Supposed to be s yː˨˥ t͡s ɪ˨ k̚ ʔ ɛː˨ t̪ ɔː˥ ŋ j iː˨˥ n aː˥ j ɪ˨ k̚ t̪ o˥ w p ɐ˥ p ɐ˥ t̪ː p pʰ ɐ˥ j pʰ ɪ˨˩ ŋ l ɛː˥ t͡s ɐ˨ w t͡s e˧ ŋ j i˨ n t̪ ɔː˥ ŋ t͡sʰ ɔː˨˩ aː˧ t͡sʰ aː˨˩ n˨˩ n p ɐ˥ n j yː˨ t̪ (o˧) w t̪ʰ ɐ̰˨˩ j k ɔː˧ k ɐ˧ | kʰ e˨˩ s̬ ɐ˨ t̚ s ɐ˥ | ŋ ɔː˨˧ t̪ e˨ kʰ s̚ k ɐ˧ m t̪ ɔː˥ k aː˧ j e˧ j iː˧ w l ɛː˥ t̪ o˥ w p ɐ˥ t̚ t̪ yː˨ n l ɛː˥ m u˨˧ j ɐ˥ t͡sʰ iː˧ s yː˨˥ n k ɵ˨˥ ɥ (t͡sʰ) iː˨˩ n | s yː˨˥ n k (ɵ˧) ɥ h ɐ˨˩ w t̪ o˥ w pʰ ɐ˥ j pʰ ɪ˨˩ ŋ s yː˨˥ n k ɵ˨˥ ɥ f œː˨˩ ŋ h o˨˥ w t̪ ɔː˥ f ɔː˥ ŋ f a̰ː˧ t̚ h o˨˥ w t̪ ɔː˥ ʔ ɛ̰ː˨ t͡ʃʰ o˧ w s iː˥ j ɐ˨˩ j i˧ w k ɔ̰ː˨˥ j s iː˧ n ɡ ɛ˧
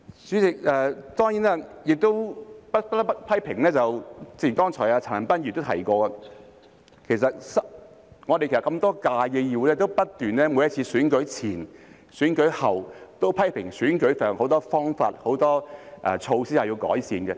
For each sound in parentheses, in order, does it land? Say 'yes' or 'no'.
no, yes, no

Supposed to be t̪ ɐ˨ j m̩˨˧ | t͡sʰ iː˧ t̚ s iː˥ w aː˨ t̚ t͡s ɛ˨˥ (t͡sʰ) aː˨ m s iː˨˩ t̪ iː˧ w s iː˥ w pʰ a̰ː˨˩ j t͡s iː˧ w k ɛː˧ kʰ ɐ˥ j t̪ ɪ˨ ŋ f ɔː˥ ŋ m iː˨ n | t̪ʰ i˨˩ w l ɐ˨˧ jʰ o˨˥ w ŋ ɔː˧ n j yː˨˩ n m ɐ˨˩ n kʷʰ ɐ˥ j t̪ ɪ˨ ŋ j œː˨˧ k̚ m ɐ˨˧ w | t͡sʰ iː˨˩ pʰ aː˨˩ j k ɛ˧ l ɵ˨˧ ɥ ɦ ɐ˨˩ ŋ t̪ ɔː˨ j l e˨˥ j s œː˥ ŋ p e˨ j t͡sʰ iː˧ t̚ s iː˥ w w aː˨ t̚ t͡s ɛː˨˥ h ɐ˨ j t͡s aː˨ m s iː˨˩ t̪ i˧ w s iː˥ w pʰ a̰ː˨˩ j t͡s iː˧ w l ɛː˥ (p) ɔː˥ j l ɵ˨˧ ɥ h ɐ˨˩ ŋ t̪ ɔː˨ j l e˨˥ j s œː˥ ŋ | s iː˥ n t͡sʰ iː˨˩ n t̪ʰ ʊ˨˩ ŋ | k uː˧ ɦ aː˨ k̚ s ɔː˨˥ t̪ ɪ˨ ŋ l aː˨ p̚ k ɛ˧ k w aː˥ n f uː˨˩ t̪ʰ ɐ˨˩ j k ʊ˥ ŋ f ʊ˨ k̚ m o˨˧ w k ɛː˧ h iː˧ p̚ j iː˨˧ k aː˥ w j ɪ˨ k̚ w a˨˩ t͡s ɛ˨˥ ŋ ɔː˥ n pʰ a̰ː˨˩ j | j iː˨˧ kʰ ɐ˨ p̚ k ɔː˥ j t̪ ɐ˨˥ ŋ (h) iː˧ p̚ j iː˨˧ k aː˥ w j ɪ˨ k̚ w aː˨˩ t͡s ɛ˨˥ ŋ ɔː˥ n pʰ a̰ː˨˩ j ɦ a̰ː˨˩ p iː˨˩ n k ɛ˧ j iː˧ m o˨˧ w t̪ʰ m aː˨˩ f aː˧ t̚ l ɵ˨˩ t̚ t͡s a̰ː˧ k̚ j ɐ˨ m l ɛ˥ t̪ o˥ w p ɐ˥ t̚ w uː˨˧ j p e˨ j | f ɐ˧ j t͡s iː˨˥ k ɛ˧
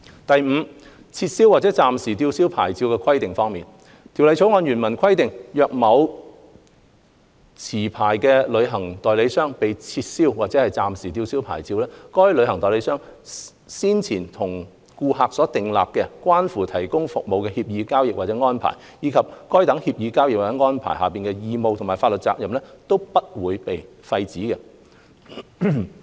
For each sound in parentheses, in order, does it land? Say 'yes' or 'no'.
no, no, yes

